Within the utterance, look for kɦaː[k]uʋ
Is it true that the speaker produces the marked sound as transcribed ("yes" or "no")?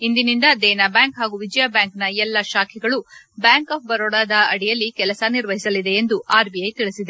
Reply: no